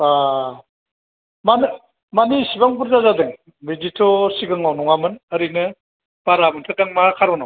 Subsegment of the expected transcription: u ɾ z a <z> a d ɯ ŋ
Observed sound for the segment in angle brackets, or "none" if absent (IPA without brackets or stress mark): z